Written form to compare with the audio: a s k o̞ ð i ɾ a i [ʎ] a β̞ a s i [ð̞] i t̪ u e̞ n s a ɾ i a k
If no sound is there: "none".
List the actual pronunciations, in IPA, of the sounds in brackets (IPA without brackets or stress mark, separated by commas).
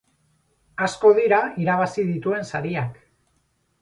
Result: ɾ, ð̞